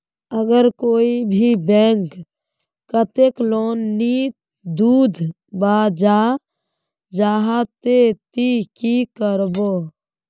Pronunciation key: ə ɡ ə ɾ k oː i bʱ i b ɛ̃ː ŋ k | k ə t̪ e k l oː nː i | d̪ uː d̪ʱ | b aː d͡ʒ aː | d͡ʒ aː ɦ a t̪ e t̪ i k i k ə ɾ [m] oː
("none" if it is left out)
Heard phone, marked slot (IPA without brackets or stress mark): b